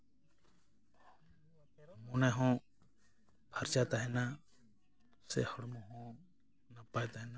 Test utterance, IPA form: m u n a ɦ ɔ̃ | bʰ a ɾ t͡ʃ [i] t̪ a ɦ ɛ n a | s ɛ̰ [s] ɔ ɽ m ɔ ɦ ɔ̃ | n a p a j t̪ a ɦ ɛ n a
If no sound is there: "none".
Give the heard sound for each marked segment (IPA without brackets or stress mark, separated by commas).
a, h